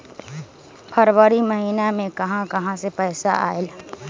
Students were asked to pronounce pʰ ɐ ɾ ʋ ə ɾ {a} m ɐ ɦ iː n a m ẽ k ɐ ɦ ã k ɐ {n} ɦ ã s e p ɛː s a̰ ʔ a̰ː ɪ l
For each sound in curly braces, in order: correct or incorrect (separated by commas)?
incorrect, incorrect